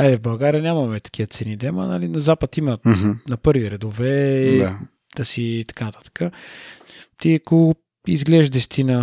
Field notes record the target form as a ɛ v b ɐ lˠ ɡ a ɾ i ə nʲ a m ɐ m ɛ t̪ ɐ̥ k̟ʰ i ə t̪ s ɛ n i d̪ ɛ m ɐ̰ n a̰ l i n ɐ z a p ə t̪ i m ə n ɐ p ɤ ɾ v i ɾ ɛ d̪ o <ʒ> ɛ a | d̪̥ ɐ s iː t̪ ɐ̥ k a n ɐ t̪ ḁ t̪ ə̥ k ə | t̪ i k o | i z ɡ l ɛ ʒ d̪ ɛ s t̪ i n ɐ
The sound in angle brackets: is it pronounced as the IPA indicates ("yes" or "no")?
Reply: no